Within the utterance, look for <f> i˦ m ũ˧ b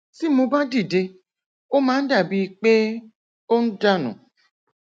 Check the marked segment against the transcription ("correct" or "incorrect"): incorrect